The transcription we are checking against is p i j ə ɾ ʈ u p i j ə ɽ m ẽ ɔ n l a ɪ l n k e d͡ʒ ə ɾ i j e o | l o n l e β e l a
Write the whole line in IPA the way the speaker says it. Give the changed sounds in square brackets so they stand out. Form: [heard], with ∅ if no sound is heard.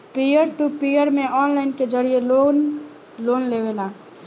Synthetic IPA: p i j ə ɾ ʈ u p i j ə [ɾ] m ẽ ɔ n l a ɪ [∅] n k e d͡ʒ ə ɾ i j e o | l o n l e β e l a